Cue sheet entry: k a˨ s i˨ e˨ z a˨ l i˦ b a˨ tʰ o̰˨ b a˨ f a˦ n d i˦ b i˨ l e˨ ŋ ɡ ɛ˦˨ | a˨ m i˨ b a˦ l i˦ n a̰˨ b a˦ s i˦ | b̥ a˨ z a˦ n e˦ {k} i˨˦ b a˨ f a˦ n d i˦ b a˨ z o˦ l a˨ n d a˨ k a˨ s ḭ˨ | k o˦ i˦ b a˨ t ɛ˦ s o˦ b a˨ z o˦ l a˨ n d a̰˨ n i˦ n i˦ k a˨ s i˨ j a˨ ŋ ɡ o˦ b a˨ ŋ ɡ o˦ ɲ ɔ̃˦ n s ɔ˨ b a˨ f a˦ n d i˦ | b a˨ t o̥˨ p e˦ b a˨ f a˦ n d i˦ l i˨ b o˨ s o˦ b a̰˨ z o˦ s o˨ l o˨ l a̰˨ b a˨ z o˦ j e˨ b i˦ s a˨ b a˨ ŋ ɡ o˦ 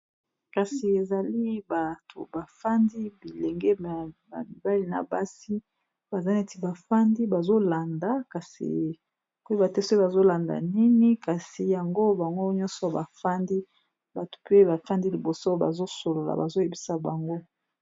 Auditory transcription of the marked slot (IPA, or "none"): t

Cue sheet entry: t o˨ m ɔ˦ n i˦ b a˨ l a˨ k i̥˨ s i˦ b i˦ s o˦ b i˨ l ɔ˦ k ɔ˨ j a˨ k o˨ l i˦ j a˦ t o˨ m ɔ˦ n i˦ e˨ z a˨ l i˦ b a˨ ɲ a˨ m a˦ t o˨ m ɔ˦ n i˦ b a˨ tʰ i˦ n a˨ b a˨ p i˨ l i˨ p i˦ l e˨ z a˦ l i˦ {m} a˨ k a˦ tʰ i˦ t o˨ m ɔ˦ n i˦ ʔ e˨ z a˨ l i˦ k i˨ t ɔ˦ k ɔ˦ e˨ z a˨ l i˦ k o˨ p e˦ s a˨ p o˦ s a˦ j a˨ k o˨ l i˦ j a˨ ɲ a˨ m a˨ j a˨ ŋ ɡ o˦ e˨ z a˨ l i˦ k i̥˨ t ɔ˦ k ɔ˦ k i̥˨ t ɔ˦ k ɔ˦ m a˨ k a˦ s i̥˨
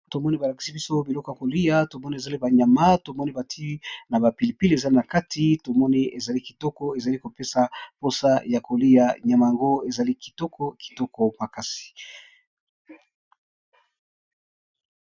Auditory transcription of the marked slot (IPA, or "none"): n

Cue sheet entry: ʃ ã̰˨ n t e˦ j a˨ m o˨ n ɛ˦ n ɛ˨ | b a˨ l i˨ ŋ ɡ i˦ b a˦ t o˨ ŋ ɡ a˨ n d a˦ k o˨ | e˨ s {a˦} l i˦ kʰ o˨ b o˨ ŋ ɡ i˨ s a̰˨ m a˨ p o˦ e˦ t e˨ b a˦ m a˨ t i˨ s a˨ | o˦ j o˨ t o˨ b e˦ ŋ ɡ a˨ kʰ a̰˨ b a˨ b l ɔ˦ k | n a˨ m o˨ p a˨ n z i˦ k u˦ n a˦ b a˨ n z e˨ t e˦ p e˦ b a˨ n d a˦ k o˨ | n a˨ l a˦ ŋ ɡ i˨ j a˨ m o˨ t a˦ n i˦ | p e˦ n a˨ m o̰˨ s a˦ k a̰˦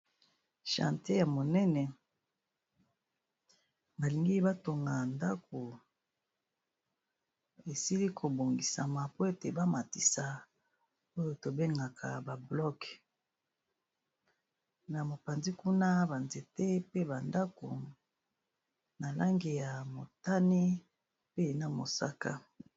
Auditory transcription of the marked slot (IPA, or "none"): i˦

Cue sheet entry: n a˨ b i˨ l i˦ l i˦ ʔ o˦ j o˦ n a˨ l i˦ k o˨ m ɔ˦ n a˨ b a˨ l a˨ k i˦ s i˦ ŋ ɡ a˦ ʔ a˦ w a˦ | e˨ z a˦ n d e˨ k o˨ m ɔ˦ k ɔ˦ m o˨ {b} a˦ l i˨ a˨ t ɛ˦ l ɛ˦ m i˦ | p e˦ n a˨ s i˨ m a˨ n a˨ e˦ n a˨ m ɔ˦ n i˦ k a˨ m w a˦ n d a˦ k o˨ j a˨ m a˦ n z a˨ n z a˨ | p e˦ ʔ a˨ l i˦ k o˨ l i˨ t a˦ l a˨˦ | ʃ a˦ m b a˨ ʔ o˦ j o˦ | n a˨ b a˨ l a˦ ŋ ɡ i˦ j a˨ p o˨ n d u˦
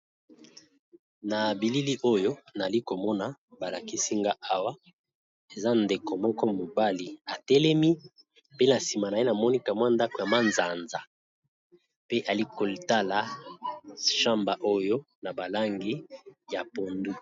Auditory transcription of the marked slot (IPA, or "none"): b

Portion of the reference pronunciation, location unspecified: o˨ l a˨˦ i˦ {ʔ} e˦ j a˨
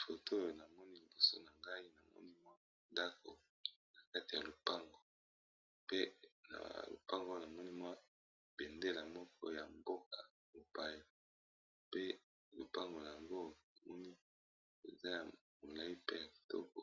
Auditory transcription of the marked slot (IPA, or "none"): p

